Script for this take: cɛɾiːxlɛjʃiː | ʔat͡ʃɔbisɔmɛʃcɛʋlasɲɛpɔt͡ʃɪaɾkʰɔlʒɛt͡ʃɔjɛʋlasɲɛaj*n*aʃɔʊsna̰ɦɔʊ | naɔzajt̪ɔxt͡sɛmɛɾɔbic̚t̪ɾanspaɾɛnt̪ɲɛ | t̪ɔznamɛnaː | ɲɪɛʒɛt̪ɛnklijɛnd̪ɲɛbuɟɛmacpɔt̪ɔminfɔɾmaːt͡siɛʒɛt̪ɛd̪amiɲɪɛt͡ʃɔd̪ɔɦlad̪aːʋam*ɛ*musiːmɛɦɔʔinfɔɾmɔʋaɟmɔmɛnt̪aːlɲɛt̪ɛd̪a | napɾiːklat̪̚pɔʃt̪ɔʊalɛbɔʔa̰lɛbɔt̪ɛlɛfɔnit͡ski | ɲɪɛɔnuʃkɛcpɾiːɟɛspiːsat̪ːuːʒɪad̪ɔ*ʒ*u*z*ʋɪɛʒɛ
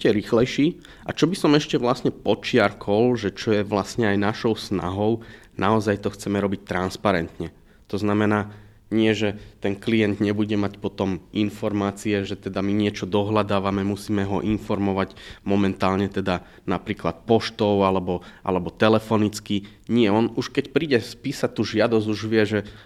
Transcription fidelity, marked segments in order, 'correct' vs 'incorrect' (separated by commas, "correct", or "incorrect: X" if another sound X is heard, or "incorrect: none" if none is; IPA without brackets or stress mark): correct, correct, incorrect: z, incorrect: ʒ